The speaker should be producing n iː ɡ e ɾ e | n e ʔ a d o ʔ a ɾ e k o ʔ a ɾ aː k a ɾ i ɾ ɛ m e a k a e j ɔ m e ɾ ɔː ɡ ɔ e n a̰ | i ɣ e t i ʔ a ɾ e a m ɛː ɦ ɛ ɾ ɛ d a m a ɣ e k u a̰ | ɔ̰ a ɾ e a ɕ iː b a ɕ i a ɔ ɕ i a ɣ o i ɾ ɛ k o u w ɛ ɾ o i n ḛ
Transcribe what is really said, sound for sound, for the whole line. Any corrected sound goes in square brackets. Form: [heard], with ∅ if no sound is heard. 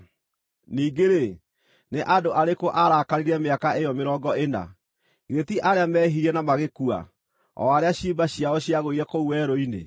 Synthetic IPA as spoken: n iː ɡ e ɾ e | n e ʔ a d o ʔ a ɾ e k o ʔ a ɾ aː k a ɾ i ɾ ɛ m e a k a e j ɔ m e ɾ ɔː ɡ ɔ e n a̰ | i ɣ e t i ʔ a ɾ e a m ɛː ɦ [i] ɾ ɛ [n] a m a ɣ e k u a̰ | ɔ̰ a ɾ e a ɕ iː b a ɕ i a ɔ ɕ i a ɣ o i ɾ ɛ k o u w ɛ ɾ o i n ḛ